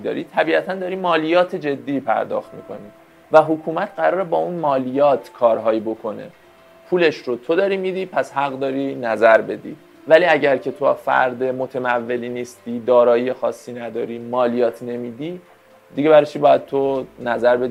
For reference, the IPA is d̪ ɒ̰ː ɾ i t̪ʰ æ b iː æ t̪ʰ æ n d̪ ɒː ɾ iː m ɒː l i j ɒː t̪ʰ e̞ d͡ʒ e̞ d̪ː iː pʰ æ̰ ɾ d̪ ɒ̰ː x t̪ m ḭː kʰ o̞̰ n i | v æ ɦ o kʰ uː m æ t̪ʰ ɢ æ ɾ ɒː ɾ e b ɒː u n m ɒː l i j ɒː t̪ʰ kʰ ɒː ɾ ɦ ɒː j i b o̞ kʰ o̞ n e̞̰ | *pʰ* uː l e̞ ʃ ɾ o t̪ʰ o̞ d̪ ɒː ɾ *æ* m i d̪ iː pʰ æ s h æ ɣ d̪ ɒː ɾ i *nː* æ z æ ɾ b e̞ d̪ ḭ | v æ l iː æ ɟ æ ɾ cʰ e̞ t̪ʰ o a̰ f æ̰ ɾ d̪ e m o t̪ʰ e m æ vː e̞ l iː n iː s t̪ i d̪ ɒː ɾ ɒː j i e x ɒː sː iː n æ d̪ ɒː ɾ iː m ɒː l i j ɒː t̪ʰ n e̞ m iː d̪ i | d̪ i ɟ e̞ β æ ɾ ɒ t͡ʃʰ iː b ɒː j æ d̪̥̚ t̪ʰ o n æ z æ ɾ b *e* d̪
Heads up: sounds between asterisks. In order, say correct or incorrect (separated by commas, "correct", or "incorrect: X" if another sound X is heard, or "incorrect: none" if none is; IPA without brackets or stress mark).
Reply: correct, incorrect: i, incorrect: n, correct